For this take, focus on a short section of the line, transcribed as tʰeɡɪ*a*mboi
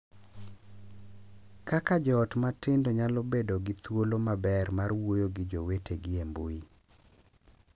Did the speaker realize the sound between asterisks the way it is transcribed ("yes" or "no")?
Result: no